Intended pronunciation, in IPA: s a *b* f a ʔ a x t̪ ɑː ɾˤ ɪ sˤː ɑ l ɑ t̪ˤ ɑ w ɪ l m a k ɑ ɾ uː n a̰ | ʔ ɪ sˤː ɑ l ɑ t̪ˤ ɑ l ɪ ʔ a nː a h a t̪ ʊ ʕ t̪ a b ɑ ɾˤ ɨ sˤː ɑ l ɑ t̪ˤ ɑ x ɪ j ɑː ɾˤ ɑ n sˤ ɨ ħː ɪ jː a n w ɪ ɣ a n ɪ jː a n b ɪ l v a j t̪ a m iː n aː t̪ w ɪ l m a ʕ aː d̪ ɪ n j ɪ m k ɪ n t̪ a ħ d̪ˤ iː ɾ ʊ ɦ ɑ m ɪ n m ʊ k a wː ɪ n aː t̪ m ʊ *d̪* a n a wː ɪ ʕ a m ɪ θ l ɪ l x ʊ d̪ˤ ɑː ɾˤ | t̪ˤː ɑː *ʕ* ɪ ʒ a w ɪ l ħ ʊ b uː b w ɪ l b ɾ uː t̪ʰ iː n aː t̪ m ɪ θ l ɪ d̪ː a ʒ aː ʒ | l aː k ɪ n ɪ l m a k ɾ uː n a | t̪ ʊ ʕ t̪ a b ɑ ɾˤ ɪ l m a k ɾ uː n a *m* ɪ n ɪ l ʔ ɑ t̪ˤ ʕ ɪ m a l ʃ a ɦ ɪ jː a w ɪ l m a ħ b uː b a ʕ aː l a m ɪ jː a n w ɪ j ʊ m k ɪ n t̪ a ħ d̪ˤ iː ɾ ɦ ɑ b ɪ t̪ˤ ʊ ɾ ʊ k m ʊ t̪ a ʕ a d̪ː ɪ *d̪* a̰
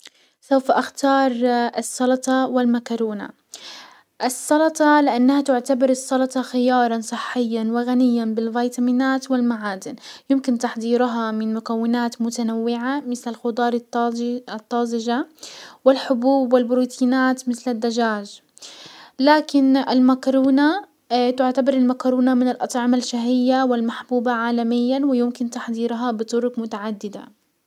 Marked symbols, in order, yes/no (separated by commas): no, no, no, yes, yes